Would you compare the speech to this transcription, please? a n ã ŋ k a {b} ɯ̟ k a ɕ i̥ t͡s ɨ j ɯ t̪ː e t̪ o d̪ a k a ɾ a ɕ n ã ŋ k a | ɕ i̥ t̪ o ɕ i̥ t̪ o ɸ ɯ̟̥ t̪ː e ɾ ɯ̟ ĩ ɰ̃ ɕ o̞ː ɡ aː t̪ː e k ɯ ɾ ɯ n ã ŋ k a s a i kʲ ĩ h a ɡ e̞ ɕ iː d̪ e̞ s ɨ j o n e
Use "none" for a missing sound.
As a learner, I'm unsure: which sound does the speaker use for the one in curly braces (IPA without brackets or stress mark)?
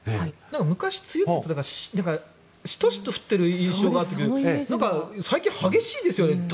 m